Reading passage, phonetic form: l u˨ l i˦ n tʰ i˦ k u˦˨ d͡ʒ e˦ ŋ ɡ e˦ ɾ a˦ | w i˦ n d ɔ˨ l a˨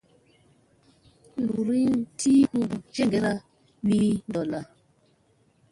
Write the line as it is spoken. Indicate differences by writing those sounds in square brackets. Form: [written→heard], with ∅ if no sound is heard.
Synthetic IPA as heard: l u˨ [l→ɾ] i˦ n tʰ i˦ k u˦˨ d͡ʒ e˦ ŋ ɡ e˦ ɾ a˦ | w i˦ n d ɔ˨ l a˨